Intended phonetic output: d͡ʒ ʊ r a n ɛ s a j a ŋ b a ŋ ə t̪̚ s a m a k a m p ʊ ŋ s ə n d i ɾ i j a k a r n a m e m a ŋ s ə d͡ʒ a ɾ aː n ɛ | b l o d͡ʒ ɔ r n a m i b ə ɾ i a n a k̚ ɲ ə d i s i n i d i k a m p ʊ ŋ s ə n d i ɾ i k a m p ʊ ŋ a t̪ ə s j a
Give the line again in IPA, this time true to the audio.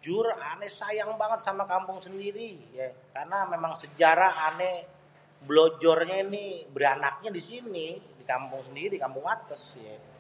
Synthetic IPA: d͡ʒ ʊ r a n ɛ s a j a ŋ b a ŋ ə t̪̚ s a m a k a m p ʊ ŋ s ə n d i ɾ i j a k a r n a m e m a ŋ s ə d͡ʒ a ɾ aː n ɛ | b l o d͡ʒ ɔ r ɲ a n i b ə ɾ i a n a k̚ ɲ a d i s i n i d i k a m p ʊ ŋ s ə n d i ɾ i k a m p ʊ ŋ a t̪ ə s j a